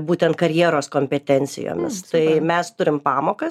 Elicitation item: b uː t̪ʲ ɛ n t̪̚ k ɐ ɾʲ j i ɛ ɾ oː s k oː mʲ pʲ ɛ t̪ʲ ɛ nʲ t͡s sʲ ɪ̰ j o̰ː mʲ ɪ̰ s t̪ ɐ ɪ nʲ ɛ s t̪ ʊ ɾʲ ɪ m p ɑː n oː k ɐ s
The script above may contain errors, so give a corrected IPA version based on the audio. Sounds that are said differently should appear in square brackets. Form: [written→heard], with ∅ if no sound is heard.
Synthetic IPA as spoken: b uː t̪ʲ ɛ n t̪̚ k ɐ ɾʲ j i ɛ ɾ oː s k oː mʲ pʲ ɛ t̪ʲ ɛ nʲ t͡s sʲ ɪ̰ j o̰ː mʲ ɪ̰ s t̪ ɐ ɪ [nʲ→mʲ] ɛ s t̪ ʊ ɾʲ ɪ m p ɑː [n→m] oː k ɐ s